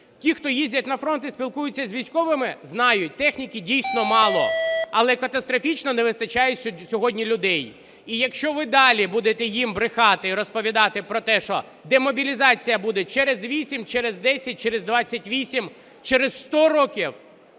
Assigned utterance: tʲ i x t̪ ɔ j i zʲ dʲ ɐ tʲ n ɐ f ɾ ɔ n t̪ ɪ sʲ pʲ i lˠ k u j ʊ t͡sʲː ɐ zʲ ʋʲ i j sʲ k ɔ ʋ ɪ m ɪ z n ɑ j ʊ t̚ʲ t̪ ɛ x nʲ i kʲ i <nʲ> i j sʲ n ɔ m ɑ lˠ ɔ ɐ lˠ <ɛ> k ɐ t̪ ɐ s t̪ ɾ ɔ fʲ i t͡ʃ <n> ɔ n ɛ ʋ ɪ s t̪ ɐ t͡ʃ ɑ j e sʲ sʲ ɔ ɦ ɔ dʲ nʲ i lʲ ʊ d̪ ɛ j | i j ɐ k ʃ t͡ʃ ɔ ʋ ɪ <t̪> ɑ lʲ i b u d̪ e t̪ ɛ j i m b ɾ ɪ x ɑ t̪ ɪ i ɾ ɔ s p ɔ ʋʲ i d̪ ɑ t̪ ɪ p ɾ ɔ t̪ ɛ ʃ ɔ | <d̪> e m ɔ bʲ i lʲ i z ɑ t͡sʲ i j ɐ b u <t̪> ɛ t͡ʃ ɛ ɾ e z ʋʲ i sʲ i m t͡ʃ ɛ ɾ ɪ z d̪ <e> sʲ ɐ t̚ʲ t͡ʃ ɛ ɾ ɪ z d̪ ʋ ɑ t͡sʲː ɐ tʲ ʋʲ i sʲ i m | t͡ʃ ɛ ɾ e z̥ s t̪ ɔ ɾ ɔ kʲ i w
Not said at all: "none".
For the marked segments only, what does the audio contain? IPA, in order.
dʲ, ɛ, n, d̪, d̪, d̪, ɛ

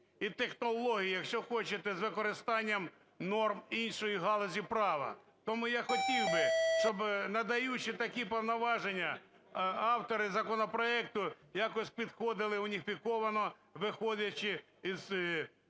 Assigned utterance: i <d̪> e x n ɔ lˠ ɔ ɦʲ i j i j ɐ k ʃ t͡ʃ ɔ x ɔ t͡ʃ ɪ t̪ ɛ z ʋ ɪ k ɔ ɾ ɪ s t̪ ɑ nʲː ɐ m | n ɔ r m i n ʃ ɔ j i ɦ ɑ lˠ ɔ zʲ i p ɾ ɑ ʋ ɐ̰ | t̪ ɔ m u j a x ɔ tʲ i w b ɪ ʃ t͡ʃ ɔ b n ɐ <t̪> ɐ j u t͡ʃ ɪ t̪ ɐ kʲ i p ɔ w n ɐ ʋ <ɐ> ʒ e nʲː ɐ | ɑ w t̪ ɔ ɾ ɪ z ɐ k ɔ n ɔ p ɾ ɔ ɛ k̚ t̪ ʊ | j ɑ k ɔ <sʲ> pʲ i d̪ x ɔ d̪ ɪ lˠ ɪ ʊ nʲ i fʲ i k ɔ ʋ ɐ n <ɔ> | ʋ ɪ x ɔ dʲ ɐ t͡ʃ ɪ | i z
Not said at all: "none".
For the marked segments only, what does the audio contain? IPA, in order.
t̪, d̪, ɑ, sʲ, ɔ

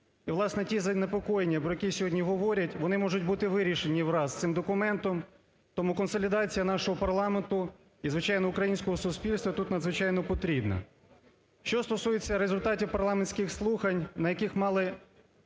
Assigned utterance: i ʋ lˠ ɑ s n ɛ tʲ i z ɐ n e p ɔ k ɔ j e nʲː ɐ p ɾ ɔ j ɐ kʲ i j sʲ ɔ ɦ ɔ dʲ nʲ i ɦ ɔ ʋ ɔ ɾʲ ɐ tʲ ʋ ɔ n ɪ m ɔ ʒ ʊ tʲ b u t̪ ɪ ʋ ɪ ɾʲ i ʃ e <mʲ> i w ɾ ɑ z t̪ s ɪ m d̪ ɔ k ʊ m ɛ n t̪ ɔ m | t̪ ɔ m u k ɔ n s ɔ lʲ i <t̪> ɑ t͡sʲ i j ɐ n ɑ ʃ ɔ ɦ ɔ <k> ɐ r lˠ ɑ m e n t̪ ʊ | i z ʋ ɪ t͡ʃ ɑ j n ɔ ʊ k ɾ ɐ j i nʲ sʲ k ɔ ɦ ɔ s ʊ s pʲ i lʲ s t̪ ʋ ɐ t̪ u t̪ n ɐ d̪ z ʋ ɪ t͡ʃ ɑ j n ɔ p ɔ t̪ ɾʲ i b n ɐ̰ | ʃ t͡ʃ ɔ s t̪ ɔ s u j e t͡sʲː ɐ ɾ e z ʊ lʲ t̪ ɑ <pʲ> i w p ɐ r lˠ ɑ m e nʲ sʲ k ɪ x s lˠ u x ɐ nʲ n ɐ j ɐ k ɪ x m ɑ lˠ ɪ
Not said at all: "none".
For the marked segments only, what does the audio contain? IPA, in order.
nʲ, d̪, p, tʲ

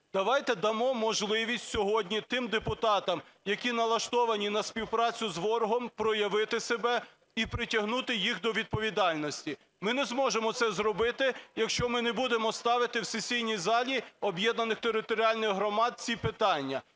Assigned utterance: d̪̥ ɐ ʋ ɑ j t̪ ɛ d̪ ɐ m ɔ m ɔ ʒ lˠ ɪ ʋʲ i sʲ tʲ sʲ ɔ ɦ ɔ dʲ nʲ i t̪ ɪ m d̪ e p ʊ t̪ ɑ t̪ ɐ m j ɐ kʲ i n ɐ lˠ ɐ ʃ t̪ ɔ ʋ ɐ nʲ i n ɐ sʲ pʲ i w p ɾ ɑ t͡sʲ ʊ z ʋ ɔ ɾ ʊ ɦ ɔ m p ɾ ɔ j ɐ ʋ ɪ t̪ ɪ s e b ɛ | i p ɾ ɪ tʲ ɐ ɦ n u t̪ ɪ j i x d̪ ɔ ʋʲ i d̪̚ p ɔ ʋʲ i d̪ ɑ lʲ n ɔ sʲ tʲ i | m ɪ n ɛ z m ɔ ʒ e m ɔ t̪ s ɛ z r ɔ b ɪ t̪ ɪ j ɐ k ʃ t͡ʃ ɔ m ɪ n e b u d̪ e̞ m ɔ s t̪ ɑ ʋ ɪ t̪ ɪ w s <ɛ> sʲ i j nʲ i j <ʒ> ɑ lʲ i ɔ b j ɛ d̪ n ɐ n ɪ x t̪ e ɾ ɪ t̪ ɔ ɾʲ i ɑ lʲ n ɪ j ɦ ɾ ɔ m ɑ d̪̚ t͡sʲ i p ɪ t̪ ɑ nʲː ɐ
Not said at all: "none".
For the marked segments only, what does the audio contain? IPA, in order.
e, z

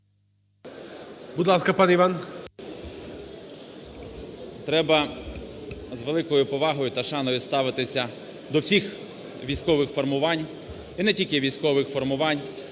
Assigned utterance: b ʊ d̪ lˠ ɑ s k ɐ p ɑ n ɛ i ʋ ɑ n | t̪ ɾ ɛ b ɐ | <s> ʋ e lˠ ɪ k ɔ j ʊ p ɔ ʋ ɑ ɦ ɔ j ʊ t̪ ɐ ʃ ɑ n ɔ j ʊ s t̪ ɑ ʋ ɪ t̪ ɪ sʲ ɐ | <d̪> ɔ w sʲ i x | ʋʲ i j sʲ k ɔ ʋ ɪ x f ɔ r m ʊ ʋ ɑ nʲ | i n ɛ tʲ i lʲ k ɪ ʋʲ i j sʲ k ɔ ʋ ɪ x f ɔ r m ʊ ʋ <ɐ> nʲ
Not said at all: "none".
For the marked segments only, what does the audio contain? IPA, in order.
z, d̪, ɑ

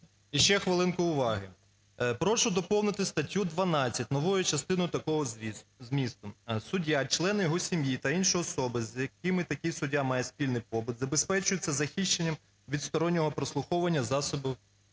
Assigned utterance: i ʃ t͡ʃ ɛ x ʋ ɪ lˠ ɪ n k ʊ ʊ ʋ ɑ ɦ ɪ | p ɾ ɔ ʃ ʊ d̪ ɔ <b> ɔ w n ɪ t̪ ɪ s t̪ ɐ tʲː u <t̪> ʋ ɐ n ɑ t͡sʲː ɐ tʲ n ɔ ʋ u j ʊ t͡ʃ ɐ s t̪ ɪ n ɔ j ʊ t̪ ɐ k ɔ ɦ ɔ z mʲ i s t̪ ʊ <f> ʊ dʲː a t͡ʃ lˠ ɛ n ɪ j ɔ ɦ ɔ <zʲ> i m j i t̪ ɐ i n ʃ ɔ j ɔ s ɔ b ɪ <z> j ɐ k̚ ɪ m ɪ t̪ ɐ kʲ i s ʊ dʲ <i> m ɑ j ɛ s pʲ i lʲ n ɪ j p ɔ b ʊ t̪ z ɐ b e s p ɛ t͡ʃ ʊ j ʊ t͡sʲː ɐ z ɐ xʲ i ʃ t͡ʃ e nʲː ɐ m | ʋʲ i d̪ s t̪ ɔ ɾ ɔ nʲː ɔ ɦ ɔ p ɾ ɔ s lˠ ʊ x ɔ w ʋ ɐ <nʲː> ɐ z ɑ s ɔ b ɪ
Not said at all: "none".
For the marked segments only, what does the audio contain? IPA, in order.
p, d̪, s, sʲ, z, a, nʲː

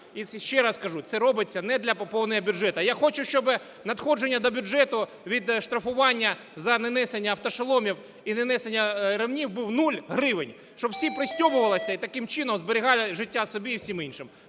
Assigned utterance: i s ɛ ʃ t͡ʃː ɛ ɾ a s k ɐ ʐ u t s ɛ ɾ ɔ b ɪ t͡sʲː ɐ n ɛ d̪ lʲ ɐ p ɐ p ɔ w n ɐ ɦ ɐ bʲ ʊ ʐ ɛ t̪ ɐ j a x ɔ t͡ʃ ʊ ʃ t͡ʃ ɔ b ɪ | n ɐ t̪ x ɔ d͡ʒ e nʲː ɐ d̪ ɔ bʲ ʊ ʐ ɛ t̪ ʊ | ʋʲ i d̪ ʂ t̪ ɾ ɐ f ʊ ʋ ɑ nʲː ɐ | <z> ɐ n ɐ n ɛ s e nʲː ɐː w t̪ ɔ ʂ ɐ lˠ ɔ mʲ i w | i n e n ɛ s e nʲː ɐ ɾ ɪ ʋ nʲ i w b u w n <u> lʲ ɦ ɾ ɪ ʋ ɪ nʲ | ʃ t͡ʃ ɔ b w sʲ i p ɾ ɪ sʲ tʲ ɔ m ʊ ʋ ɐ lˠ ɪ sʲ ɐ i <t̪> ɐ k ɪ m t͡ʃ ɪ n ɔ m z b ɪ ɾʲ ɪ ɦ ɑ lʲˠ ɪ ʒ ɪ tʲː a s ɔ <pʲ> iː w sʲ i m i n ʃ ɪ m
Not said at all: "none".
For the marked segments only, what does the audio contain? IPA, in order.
z, u, t̪, bʲ

